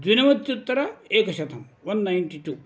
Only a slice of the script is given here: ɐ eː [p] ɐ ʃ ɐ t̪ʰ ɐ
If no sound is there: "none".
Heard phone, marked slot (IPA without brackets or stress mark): k